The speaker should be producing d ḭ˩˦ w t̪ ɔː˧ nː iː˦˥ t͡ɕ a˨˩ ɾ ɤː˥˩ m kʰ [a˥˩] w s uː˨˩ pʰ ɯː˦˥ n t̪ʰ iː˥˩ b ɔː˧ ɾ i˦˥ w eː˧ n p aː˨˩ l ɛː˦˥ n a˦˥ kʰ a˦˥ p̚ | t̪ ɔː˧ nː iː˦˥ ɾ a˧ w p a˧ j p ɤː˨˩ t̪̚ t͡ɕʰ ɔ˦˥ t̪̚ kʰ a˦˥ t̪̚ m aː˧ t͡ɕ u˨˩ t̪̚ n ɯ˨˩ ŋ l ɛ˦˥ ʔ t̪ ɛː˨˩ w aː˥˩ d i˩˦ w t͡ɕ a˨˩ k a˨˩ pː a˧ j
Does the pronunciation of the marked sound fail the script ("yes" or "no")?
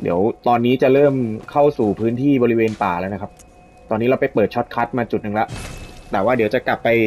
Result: no